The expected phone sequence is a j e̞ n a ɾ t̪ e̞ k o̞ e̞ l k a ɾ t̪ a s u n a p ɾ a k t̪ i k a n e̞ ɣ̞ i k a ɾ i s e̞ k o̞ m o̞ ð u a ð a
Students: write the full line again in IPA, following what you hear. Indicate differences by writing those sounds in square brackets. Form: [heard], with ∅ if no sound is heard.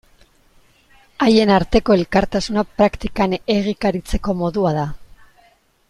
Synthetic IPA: a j e̞ n a ɾ t̪ e̞ k o̞ e̞ l k a ɾ t̪ a s u n a p ɾ a k t̪ i k a n e̞ ɣ̞ i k a ɾ i [t͡s] e̞ k o̞ m o̞ ð u a ð a